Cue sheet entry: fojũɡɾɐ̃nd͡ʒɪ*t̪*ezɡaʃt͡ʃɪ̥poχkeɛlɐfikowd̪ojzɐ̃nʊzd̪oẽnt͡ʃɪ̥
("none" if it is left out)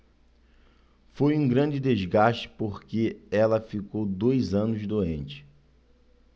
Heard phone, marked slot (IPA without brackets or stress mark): d̪